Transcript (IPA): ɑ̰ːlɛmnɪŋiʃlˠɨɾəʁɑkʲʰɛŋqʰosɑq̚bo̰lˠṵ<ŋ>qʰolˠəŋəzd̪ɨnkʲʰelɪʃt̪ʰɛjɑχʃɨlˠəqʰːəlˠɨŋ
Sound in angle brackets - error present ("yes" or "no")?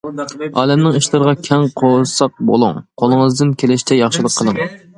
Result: no